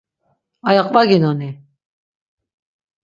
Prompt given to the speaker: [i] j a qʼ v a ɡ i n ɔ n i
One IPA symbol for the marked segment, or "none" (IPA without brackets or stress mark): a